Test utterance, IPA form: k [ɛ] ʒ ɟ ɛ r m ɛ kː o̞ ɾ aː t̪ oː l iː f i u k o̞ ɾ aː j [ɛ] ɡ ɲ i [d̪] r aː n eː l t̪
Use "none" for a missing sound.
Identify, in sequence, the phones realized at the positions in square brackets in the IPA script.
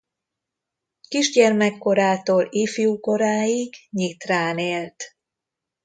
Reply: i, i, t̪

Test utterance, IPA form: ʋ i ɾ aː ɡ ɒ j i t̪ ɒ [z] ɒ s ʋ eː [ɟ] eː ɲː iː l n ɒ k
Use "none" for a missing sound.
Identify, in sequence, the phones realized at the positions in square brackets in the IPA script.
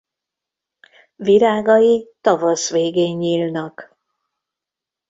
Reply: v, ɡ

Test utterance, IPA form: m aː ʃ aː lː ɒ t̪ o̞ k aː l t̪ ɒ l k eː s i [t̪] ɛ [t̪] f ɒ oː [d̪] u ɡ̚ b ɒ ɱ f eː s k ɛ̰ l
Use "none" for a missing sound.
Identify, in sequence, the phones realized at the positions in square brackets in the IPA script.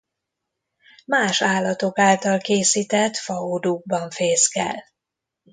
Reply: t̪, t̪, d̪

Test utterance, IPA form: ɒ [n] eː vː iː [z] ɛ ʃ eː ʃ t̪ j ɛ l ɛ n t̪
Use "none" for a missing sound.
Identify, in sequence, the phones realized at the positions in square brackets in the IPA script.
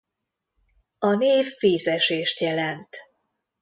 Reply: n, z

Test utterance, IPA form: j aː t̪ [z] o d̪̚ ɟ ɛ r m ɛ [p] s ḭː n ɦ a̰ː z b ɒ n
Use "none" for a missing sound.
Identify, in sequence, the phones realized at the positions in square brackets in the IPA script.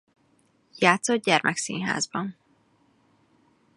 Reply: s, k

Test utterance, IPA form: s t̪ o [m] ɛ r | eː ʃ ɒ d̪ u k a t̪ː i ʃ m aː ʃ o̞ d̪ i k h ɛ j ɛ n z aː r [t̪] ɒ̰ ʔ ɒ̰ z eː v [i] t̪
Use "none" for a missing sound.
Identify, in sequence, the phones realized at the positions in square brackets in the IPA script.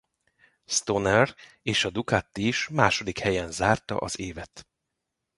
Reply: n, t̪, ɛ

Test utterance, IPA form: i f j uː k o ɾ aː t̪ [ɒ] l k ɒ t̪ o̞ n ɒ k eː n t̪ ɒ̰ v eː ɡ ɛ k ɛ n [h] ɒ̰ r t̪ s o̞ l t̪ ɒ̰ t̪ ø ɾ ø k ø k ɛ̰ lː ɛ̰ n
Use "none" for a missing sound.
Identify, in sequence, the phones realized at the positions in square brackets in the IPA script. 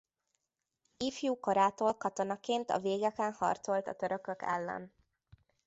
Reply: o, h

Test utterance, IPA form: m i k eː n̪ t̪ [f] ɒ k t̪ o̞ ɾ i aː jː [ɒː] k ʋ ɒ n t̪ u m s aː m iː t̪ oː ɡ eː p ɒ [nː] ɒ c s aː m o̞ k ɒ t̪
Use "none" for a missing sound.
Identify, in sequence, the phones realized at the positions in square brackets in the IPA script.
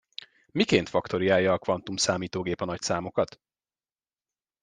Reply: f, ɒː, n

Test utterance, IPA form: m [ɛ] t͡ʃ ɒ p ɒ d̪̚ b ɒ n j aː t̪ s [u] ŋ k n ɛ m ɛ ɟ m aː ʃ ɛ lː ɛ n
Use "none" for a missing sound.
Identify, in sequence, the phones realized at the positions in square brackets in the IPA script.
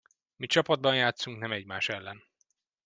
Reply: i, u

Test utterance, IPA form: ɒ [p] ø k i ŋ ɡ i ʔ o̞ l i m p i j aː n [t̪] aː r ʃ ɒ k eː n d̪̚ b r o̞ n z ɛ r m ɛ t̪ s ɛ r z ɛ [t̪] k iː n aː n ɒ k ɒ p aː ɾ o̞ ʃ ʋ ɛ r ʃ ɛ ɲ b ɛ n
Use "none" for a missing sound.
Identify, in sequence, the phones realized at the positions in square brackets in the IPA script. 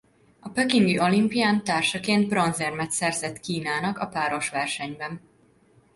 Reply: p, t̪, t̪

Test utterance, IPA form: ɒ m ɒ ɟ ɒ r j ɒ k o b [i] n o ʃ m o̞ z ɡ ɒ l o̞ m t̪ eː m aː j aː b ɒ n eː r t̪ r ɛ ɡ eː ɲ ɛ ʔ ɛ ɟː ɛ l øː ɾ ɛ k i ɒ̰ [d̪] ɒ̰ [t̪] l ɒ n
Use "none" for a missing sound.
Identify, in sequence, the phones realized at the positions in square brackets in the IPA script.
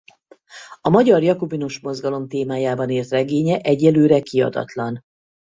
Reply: i, d̪, t̪

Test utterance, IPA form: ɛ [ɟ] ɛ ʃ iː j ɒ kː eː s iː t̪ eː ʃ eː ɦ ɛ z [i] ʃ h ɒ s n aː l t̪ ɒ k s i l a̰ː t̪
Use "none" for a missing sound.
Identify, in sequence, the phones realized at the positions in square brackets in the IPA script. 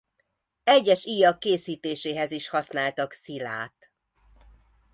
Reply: ɟː, i

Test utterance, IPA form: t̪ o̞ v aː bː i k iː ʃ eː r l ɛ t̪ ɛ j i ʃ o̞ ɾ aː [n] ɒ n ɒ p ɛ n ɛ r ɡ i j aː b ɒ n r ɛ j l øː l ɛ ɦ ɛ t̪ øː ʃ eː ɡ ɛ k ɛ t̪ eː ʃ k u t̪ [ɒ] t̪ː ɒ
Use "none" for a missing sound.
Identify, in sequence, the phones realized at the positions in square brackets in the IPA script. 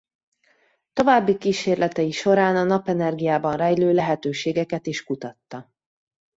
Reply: n, ɒ

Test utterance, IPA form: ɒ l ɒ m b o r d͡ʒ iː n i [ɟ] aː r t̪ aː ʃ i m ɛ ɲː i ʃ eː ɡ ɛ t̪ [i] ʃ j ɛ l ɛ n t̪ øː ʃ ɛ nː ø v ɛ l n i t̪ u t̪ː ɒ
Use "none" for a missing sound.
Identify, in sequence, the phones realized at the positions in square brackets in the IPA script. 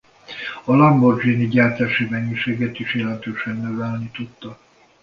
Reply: ɟ, i

